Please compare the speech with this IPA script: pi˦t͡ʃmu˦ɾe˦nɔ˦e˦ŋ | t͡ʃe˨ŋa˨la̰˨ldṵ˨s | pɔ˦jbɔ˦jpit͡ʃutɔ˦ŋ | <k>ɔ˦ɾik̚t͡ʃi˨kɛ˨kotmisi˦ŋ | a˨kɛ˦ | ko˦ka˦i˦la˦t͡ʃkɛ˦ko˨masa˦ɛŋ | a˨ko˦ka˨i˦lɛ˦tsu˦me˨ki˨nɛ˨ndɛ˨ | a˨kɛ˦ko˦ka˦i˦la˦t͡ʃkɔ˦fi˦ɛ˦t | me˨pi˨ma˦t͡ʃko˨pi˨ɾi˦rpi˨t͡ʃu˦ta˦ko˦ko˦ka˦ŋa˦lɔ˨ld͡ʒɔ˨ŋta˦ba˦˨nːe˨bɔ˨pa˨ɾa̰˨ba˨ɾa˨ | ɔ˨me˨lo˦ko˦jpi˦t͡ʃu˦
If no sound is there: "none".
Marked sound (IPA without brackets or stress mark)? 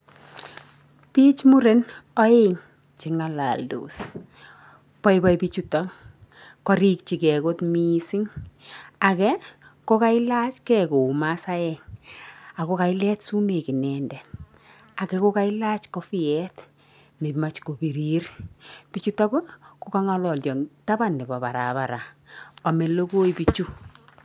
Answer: k